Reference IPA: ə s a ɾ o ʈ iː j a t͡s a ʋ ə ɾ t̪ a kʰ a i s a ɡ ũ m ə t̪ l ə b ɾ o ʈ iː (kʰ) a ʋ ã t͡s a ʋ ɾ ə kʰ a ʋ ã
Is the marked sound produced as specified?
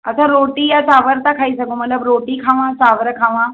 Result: yes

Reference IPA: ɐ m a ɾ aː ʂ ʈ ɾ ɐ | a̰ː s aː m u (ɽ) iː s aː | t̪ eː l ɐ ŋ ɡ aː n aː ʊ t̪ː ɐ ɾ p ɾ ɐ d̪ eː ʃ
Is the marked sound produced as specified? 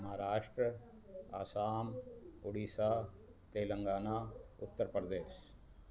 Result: yes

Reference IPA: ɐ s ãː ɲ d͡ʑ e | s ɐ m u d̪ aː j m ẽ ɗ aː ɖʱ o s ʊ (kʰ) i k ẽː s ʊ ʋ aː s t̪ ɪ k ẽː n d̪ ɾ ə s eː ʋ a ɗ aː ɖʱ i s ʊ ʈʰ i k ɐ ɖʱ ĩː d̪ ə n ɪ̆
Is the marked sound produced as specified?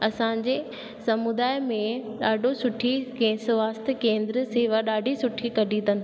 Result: no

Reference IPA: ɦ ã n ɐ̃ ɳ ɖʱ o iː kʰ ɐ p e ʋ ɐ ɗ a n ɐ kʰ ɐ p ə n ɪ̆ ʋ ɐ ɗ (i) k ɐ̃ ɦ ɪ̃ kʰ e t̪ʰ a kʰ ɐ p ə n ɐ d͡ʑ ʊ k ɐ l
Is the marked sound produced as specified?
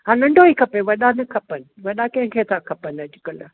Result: no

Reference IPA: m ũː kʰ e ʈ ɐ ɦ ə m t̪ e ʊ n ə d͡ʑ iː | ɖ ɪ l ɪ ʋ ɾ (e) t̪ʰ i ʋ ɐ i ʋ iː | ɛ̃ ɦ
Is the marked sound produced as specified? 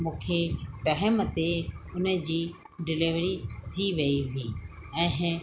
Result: no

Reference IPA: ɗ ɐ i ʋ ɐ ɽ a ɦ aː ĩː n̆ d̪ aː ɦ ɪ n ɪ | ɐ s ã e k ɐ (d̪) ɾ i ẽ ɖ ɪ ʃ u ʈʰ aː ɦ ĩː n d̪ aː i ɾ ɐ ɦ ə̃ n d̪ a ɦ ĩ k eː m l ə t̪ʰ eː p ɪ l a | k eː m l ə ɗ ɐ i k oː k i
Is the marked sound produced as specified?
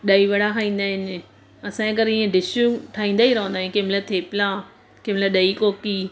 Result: no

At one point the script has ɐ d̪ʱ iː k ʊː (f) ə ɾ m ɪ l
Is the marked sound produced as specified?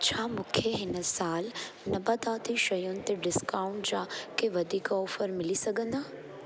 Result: yes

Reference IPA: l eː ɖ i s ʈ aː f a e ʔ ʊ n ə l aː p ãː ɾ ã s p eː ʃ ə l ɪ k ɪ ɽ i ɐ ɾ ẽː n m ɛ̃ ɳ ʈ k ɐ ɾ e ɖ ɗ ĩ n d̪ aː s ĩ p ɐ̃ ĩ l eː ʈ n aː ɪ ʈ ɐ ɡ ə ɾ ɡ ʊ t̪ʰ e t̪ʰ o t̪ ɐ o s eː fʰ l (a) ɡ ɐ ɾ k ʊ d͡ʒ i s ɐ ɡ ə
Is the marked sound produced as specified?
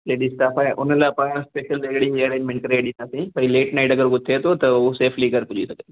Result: no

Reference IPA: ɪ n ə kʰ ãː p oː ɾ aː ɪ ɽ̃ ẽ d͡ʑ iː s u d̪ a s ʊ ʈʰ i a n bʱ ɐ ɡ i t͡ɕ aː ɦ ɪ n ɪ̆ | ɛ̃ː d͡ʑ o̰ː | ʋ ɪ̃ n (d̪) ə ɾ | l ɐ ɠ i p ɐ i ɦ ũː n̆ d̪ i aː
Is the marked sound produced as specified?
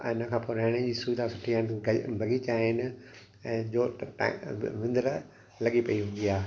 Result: yes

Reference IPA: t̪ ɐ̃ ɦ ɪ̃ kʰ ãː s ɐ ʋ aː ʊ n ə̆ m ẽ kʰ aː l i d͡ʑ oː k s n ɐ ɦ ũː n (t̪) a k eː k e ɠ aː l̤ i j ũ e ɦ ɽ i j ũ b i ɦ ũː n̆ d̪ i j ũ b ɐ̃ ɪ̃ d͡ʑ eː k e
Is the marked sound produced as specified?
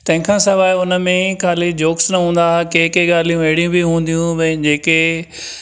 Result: no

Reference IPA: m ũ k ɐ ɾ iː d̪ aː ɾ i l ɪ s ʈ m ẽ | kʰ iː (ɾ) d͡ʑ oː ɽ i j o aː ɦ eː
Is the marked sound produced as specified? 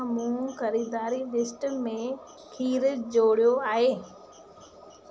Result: yes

